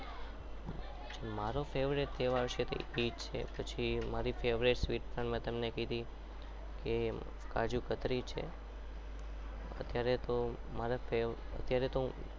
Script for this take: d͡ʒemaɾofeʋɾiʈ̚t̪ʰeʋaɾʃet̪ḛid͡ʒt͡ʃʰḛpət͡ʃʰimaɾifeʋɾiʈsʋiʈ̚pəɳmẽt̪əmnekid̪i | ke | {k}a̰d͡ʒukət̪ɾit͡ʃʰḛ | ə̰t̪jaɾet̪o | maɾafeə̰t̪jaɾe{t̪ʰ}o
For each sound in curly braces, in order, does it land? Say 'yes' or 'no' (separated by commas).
yes, no